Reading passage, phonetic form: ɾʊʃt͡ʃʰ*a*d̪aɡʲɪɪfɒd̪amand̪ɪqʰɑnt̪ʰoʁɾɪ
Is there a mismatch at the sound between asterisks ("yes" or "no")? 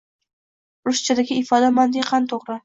no